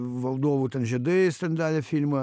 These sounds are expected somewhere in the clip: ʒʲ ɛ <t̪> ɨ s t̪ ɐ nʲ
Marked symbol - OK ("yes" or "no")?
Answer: no